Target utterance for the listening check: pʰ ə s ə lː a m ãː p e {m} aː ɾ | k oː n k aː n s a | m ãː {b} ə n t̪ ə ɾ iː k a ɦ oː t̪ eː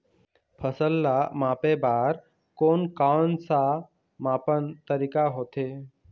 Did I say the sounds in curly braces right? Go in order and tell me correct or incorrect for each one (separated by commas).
incorrect, incorrect